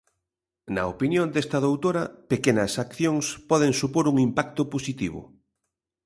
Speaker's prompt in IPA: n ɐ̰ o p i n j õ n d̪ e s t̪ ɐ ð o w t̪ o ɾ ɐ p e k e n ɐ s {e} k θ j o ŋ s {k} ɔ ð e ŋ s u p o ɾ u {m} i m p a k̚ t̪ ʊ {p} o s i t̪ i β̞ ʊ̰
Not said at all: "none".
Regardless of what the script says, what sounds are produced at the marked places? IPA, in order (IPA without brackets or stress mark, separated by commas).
a, p, ŋ, p